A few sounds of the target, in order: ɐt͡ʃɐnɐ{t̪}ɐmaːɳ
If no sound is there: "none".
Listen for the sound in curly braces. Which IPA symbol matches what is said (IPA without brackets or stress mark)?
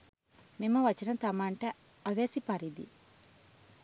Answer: t̪